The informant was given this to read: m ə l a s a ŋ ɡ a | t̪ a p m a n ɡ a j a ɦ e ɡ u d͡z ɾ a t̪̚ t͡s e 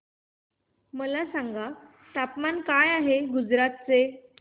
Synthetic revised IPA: m ə l a s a ŋ ɡ a | t̪ a p m a n k a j a ɦ e ɡ u d͡z ɾ a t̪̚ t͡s e